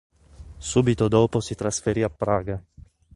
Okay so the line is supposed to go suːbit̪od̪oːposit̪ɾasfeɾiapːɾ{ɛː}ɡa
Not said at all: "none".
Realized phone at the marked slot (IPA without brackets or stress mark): aː